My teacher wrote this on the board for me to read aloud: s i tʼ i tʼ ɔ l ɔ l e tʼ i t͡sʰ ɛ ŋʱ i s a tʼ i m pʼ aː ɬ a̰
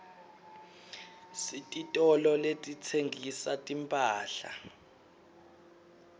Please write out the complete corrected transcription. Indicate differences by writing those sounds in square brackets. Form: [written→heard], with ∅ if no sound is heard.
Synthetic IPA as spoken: s i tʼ i tʼ ɔ l ɔ l e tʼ i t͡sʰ [ɛ→e] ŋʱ i s a tʼ i m pʼ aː ɬ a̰